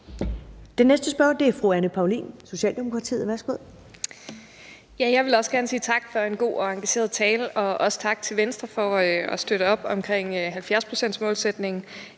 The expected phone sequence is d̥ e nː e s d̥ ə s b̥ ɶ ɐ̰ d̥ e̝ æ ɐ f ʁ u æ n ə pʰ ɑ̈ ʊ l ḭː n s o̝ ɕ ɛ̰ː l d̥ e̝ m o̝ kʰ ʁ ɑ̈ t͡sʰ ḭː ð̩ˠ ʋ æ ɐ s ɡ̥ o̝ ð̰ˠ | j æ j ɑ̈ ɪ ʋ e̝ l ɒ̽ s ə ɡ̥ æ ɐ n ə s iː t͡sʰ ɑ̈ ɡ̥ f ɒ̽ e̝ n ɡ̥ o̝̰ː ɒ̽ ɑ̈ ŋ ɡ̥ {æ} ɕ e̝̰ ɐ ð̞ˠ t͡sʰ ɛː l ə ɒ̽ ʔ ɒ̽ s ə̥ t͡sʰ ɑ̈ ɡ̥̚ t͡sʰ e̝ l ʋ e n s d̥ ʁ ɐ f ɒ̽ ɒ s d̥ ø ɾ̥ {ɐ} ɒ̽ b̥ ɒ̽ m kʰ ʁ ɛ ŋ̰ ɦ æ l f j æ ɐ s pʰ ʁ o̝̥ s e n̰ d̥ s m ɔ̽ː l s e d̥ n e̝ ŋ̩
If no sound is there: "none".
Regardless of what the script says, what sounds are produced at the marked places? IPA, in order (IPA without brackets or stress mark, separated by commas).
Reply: æ, ə